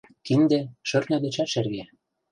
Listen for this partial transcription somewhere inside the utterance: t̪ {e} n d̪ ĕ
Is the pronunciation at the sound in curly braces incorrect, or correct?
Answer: incorrect